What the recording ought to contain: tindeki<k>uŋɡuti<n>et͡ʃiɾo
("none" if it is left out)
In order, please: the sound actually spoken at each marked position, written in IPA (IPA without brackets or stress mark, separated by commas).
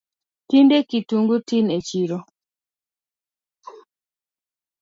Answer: t, n